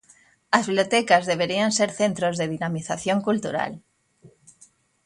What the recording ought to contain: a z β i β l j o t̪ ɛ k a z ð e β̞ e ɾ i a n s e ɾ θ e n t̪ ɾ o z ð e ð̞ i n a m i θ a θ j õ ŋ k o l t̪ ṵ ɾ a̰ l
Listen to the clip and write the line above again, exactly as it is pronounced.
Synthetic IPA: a z β i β l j o t̪ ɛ k a z ð e β̞ e ɾ i a n s e ɾ θ e n t̪ ɾ o z ð e ð̞ i n a m i θ a θ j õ ŋ k u l t̪ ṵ ɾ a̰ l